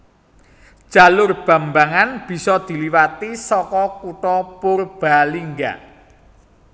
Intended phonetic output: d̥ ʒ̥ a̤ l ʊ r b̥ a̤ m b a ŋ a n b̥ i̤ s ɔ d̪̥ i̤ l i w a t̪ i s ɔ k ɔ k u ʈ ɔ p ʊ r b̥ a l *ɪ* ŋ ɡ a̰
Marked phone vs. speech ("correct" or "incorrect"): incorrect